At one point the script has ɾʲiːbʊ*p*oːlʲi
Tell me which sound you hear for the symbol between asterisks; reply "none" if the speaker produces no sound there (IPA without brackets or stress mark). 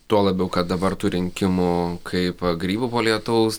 p